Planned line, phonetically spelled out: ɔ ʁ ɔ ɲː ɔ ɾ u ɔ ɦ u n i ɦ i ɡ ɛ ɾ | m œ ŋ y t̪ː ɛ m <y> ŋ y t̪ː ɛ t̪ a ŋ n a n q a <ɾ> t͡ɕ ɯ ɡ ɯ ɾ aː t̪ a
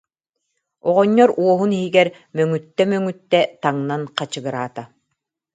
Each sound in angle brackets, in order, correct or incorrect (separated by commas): incorrect, incorrect